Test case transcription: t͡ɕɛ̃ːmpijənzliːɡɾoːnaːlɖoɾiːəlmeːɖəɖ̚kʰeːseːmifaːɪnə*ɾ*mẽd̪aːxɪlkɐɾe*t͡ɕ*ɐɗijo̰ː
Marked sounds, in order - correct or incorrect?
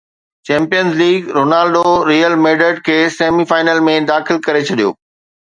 incorrect: l, incorrect: t͡ɕʰ

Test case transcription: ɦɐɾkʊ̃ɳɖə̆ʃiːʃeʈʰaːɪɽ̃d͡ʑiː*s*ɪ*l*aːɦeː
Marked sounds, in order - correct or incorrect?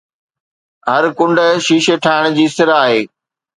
correct, incorrect: ɾ

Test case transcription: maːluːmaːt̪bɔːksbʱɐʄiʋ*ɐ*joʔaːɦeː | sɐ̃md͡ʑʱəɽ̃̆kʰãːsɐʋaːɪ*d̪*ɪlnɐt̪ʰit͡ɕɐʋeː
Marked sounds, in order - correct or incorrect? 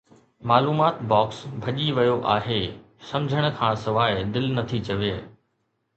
correct, correct

